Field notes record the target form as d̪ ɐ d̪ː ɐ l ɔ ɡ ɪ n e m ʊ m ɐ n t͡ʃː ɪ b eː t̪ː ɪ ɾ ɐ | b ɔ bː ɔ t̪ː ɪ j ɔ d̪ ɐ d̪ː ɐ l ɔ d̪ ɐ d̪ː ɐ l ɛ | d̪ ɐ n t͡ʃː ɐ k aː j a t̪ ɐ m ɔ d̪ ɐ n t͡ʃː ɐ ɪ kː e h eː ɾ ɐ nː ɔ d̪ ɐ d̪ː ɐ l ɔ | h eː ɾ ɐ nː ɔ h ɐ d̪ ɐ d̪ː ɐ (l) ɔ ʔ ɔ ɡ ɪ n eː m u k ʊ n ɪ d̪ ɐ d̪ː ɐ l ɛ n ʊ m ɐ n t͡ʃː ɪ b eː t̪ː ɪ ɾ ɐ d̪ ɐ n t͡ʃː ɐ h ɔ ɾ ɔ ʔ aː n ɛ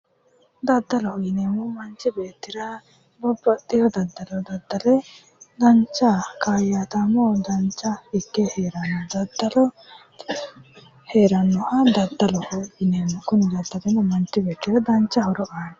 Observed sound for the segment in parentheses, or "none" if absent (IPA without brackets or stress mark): l